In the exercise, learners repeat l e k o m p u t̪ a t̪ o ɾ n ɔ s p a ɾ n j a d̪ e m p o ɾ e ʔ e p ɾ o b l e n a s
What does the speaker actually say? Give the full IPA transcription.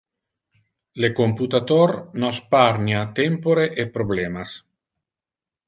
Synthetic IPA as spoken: l e k o m p u t̪ a t̪ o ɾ n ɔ s p a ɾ n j a t̪ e m p o ɾ e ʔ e p ɾ o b l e m a s